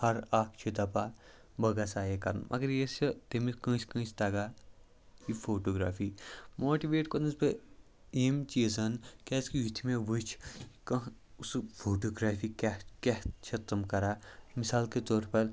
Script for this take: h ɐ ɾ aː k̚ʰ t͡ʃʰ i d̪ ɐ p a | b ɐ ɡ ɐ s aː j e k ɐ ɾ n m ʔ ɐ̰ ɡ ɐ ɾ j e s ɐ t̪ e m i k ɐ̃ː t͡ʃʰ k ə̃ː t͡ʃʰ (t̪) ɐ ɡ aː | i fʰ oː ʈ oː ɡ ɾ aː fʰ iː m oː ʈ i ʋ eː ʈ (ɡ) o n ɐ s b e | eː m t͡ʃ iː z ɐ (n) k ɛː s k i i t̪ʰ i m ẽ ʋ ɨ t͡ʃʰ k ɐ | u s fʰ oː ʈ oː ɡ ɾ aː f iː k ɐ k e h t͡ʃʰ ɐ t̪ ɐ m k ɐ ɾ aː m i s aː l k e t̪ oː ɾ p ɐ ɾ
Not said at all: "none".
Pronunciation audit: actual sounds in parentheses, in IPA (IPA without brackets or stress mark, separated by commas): t̪, k, n